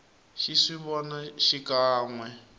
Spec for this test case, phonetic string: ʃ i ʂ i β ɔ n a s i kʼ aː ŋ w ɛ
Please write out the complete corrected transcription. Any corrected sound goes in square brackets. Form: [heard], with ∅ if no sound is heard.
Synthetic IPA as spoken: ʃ i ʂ i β ɔ n a [ʃ] i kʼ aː ŋ w ɛ